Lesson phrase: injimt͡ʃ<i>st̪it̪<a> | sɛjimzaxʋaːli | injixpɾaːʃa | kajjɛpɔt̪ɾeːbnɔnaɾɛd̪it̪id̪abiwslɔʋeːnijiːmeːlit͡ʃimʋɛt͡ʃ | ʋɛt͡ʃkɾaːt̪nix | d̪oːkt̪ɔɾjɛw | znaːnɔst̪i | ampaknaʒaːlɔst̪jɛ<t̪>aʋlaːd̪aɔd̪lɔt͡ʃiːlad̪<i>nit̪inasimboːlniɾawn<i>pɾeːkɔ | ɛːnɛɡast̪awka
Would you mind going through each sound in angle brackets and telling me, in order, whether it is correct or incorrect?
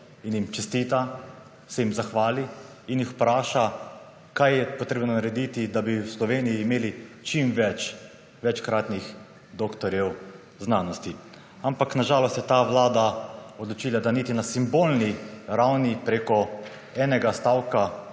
incorrect: ɛ, correct, correct, incorrect: a, correct

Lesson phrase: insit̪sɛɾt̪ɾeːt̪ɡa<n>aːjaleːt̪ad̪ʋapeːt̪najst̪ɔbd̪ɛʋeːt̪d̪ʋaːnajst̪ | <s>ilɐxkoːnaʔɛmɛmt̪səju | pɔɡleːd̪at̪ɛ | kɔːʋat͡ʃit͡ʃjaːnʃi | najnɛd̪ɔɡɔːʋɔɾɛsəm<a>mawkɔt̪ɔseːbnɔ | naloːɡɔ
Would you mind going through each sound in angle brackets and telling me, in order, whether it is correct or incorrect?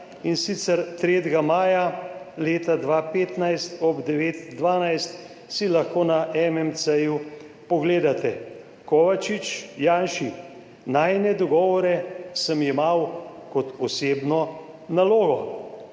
incorrect: m, correct, incorrect: i

